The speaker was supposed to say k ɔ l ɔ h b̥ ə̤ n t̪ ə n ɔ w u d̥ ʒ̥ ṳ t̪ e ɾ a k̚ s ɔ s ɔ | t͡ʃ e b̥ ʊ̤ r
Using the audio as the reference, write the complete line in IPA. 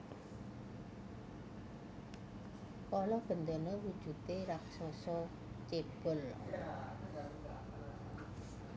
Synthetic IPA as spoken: k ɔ l ɔ h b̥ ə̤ n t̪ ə n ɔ w u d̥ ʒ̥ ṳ t̪ e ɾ a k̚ s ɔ s ɔ | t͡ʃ e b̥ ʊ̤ l